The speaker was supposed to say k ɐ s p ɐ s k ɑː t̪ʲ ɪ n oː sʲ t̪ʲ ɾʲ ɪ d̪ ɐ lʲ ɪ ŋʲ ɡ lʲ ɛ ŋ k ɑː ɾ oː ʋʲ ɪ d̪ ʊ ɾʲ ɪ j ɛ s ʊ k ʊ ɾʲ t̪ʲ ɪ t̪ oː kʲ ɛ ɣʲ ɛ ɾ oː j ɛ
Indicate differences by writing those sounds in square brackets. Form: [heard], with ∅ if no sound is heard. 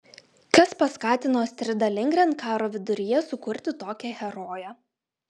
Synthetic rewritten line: k ɐ s p ɐ s k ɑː t̪ʲ ɪ n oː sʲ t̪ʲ ɾʲ ɪ d̪ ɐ lʲ ɪ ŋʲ ɡ [ɾʲ] ɛ [n] k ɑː ɾ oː ʋʲ ɪ d̪ ʊ ɾʲ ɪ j ɛ s ʊ k ʊ ɾʲ t̪ʲ ɪ t̪ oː kʲ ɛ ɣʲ ɛ ɾ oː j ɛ